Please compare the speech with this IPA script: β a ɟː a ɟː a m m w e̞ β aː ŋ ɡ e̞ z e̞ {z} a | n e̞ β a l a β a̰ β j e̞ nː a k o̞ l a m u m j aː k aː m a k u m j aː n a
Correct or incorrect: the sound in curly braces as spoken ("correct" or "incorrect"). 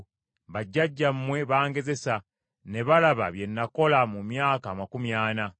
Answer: incorrect